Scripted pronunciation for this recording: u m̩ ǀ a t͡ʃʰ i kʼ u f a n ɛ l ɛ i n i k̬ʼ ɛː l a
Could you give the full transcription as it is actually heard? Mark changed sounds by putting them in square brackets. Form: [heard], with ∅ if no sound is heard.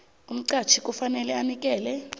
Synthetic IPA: u m̩ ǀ a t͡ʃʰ i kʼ u f a n ɛ l ɛ [a] n i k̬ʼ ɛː l [ɛ]